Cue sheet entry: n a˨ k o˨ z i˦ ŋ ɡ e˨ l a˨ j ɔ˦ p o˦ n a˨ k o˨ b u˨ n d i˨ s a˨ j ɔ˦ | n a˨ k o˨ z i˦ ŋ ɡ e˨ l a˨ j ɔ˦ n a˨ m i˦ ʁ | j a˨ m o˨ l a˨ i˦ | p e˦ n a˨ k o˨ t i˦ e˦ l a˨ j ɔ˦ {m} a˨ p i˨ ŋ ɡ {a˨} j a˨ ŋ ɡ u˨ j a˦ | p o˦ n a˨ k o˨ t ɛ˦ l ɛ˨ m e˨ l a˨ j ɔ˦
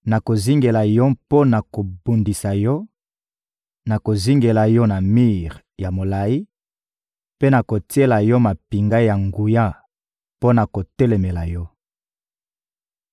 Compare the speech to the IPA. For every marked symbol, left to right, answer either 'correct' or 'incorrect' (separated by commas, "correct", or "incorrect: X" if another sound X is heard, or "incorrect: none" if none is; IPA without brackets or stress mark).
correct, incorrect: a˦